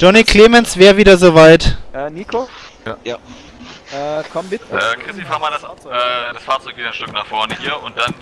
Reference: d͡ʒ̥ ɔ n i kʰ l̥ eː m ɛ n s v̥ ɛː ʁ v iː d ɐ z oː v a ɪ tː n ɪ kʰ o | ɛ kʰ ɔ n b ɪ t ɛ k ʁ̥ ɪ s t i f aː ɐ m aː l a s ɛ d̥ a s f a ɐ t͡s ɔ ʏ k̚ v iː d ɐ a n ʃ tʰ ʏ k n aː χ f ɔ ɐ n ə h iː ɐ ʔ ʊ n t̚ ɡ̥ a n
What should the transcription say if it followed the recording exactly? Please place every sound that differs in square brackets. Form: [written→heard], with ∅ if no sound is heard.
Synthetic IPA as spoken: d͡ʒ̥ ɔ n i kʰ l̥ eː m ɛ n s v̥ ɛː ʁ v iː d ɐ z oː v a ɪ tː n [ɪ→i] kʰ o | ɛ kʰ ɔ [n→m] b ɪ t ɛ k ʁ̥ ɪ s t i f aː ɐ m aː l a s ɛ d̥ a s f a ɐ t͡s ɔ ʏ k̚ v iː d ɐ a n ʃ [tʰ→t] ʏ k n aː χ f ɔ ɐ n ə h iː ɐ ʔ ʊ n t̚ [ɡ̥→d̥] a n

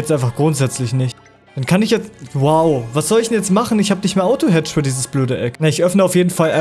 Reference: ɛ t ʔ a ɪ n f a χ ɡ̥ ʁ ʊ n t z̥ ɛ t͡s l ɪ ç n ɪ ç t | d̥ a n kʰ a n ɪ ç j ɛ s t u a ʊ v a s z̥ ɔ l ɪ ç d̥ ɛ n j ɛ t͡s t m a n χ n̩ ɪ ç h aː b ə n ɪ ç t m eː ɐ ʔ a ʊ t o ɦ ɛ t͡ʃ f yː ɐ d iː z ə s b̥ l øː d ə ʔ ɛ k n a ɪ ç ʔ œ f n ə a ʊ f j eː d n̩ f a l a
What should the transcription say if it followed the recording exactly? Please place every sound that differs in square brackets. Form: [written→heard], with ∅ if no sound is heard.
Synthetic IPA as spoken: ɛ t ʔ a ɪ n f a χ ɡ̥ ʁ ʊ n t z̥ ɛ t͡s l ɪ ç n ɪ ç t | d̥ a n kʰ a n ɪ ç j ɛ [s→t͡s] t [u→w] a ʊ v a s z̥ ɔ l ɪ ç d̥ ɛ n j ɛ t͡s t m a [n→∅] χ n̩ ɪ ç h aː b ə n ɪ ç t m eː ɐ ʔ a ʊ t o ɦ ɛ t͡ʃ f yː ɐ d iː z ə s b̥ l øː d ə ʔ ɛ k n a ɪ ç ʔ œ f n ə a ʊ f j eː d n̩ f a l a

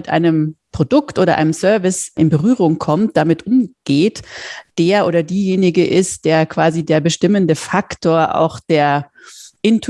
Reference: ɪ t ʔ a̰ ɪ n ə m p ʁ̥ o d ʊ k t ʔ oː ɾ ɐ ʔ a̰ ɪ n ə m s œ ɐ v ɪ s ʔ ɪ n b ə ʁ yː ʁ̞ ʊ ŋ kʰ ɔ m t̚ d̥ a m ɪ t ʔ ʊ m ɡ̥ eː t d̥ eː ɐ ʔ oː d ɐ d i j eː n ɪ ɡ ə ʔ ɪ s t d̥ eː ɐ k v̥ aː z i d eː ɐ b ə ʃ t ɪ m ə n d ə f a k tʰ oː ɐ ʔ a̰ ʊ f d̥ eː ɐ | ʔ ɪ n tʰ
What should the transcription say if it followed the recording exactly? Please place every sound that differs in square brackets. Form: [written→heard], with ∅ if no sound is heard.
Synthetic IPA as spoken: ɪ t ʔ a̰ ɪ n ə m p ʁ̥ o d ʊ k t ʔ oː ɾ ɐ ʔ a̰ ɪ n ə m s œ ɐ v ɪ s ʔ ɪ n b ə ʁ yː ʁ̞ ʊ ŋ kʰ ɔ m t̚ d̥ a m ɪ t ʔ ʊ m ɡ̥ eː t d̥ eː ɐ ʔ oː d ɐ d [i→iː] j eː n ɪ ɡ ə ʔ ɪ s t d̥ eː ɐ k v̥ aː z i d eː ɐ b ə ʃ t ɪ m ə n d ə f a k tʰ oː ɐ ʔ a̰ ʊ [f→x] d̥ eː ɐ | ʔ ɪ n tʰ

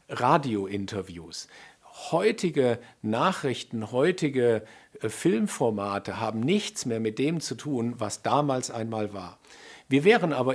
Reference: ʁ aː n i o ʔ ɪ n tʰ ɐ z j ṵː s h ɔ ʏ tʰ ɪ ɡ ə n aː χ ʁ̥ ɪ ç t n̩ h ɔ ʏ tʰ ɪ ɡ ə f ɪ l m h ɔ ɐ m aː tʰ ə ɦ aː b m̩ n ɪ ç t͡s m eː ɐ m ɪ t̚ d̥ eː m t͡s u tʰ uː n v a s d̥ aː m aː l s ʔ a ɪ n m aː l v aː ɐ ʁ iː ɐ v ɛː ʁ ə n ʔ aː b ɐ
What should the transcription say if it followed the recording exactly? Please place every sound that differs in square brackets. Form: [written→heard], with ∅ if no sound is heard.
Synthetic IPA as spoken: ʁ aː [n→d] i o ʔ ɪ n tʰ ɐ [z→v] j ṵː s h ɔ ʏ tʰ ɪ ɡ ə n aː χ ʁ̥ ɪ ç t n̩ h ɔ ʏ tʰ ɪ ɡ ə f ɪ l m [h→f] ɔ ɐ m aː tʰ ə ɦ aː b m̩ n ɪ ç t͡s m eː ɐ m ɪ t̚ d̥ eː m t͡s u tʰ uː n v a s d̥ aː m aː l s ʔ a ɪ n m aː l v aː ɐ [ʁ→v] iː ɐ v ɛː ʁ ə n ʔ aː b ɐ

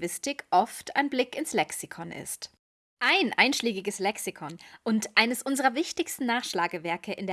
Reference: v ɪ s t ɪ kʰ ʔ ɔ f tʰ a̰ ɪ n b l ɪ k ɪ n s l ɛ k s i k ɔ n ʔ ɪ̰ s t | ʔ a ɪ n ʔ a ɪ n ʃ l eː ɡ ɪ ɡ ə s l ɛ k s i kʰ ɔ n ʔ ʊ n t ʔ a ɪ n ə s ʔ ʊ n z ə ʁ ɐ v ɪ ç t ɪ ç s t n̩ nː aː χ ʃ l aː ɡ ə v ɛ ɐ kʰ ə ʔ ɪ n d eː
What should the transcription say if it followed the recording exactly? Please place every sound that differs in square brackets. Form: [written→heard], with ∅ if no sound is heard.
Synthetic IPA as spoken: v ɪ s t ɪ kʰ ʔ ɔ f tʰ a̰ ɪ n b l ɪ k ɪ n s l ɛ k s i [k→kʰ] ɔ n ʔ ɪ̰ s t | ʔ a ɪ n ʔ a ɪ n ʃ l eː ɡ ɪ ɡ ə s l ɛ k s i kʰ ɔ n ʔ ʊ n t ʔ a ɪ n ə s ʔ ʊ n z ə ʁ ɐ v ɪ ç t ɪ ç s t n̩ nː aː χ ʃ l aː ɡ ə v ɛ ɐ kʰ ə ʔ ɪ n d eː

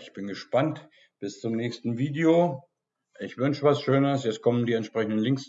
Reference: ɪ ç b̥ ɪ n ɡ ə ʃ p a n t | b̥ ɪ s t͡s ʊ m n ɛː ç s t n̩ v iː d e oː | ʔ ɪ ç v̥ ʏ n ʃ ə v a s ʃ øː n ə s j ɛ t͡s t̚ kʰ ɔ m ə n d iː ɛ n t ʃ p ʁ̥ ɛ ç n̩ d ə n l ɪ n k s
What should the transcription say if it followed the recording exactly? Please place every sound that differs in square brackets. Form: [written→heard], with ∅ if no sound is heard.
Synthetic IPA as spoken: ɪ ç b̥ ɪ n ɡ ə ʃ p a n t | b̥ ɪ s t͡s ʊ m n ɛː ç s t n̩ v iː d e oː | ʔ ɪ ç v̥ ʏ n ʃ ə v a s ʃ øː n ə s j ɛ t͡s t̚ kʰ ɔ m ə n d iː ɛ n t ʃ p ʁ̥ ɛ ç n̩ d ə n l ɪ [n→ŋ] k s

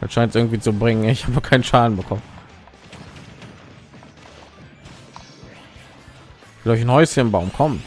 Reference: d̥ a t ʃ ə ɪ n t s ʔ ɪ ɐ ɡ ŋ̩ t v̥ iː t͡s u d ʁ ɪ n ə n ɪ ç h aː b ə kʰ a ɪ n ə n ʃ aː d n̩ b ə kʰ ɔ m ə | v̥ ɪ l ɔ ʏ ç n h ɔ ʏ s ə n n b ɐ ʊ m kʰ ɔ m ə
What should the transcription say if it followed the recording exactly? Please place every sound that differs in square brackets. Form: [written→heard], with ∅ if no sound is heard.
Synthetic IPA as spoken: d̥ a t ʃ [ə→a] ɪ n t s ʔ ɪ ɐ ɡ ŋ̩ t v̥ iː t͡s u [d→b] ʁ ɪ [n→ŋ] ə n ɪ ç h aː b ə kʰ a ɪ n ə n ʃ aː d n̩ b ə kʰ ɔ m ə | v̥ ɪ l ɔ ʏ ç n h ɔ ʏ s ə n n b [ɐ→a] ʊ m kʰ ɔ m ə

